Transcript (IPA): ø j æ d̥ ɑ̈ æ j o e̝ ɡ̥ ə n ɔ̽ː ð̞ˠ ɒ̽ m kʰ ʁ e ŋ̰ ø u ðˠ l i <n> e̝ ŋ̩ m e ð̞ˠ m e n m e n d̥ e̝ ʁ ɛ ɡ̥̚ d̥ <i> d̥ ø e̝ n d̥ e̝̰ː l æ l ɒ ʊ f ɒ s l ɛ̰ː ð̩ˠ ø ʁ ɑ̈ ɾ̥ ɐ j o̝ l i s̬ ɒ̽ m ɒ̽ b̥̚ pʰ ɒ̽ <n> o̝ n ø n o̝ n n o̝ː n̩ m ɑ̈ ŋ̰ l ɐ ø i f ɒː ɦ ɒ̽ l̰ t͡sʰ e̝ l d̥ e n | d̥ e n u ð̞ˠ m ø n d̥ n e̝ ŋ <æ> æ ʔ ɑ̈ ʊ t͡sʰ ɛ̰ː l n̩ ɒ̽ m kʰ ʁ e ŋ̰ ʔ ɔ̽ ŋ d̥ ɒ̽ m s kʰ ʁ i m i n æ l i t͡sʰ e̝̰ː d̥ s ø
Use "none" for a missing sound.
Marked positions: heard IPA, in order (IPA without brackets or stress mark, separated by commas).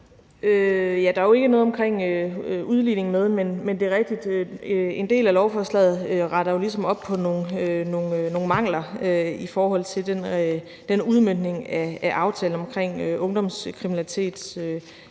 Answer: n, i, n, æ